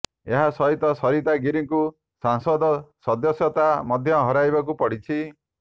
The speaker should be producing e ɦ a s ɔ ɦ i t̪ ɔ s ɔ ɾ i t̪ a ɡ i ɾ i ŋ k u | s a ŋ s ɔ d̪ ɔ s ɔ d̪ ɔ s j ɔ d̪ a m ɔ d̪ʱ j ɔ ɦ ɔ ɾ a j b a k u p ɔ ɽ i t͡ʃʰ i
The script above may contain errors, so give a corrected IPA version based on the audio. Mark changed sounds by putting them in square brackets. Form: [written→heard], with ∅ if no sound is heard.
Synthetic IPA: e ɦ a s ɔ ɦ i t̪ ɔ s ɔ ɾ i t̪ a ɡ i ɾ i ŋ k u | s a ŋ s ɔ d̪ ɔ s ɔ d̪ ɔ s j ɔ [d̪→t̪] a m ɔ d̪ʱ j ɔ ɦ ɔ ɾ a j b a k u p ɔ ɽ i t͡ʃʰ i